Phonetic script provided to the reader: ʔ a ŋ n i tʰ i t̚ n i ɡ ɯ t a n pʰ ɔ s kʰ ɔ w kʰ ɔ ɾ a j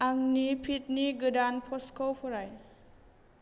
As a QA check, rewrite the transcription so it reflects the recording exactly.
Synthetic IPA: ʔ a ŋ n i pʰ i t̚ n i ɡ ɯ d a n pʰ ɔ s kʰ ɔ w pʰ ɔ ɾ a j